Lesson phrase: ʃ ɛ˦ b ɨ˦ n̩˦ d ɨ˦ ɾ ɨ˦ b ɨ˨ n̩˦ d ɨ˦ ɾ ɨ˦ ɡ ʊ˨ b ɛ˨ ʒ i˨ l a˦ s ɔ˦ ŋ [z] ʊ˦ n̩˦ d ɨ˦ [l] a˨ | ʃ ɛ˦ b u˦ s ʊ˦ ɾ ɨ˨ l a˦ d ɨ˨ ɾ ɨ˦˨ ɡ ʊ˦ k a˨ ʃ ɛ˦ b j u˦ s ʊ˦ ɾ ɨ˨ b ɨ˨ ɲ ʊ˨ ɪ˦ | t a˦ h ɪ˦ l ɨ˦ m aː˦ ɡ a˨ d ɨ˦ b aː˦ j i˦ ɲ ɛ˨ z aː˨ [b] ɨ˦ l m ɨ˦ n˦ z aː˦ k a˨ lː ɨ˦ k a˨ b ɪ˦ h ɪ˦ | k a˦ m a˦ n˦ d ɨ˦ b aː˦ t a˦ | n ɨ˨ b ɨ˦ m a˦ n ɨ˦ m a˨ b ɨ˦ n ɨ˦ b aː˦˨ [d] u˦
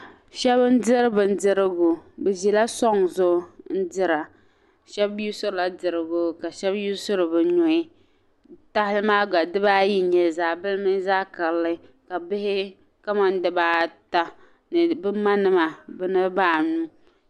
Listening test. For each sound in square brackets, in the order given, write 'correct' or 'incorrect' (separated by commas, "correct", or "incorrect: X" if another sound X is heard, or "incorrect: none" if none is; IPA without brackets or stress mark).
correct, incorrect: ɾ, correct, incorrect: n